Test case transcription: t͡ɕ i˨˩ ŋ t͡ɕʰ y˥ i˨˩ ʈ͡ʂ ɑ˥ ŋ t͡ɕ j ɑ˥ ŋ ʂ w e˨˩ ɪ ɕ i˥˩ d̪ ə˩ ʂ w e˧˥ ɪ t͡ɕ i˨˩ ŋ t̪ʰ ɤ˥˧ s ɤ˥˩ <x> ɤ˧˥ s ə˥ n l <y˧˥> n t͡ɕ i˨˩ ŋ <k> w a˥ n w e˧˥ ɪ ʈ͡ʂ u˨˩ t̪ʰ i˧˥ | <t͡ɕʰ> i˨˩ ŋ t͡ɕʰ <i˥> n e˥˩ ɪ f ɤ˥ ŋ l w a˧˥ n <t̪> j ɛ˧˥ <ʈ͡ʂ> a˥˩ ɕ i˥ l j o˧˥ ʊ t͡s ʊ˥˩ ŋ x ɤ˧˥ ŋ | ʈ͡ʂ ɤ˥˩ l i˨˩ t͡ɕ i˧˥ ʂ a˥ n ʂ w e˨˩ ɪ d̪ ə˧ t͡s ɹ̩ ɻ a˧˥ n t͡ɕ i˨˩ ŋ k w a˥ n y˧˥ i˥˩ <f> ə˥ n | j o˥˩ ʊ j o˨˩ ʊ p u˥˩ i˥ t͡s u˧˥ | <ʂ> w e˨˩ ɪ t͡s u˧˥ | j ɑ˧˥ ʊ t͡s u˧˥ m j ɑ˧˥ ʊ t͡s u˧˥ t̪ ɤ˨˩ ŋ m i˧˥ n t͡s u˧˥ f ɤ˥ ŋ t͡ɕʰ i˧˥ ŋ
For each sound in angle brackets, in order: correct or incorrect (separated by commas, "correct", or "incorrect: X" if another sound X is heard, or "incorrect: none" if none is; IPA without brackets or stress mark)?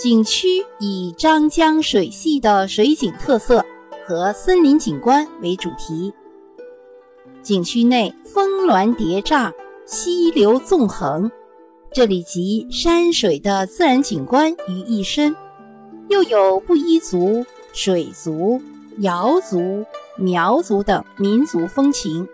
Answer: correct, incorrect: i˧˥, correct, incorrect: t͡ɕ, incorrect: y˥, correct, correct, incorrect: ʂ, correct